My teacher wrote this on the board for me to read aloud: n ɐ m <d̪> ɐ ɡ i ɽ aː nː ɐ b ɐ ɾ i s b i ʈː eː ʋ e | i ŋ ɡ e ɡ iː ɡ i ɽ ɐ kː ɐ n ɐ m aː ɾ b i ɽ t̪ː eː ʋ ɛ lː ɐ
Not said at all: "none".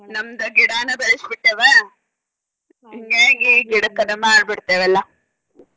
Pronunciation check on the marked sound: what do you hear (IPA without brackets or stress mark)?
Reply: d̪